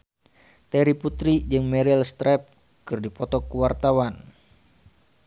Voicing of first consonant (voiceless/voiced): voiceless